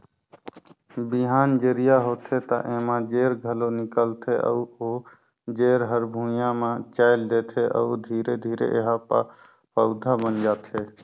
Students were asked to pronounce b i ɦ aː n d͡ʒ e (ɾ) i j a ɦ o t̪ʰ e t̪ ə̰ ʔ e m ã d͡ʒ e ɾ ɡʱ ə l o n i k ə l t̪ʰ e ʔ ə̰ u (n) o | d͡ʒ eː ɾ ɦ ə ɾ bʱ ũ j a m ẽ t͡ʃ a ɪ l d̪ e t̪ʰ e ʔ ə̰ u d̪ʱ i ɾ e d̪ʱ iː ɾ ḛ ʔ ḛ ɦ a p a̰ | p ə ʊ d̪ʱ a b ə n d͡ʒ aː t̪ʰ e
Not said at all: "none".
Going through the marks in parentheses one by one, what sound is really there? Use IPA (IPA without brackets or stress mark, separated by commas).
ɾ, none